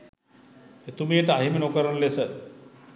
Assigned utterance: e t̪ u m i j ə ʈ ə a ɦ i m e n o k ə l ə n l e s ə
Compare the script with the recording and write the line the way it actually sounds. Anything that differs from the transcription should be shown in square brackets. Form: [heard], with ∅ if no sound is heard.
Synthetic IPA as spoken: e t̪ u m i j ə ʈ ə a ɦ i m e n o k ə [ɾ] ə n l e s ə